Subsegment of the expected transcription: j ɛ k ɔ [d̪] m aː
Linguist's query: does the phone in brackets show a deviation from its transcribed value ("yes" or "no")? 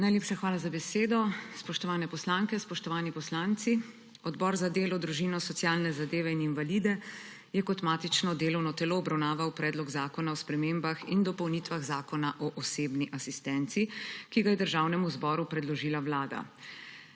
yes